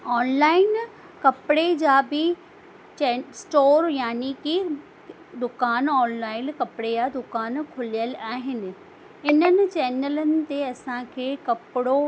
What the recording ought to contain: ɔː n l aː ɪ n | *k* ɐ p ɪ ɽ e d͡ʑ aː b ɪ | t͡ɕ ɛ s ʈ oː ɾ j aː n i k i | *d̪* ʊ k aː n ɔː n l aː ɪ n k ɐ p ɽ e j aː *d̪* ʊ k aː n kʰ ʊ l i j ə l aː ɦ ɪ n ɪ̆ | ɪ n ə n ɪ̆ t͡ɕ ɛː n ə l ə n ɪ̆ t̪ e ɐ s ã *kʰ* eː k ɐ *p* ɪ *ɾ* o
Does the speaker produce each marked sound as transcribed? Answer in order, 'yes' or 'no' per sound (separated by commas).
yes, yes, yes, yes, yes, no